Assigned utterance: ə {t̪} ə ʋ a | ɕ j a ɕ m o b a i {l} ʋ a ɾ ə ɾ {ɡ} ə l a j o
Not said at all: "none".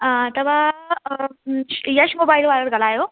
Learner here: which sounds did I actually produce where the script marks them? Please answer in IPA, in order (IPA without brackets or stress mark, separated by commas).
t̪, l, ɡ